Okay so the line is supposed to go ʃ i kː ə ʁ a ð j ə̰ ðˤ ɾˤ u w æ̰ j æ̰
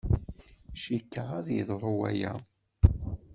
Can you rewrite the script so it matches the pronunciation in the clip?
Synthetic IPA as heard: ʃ i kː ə ʁ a ð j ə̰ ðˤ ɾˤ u w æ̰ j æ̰